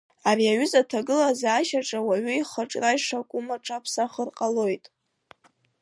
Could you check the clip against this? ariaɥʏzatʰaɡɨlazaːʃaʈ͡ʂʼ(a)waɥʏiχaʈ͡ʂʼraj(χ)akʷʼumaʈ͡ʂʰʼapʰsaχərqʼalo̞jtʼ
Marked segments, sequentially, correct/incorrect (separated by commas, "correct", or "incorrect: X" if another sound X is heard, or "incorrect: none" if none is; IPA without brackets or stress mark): correct, incorrect: ʂ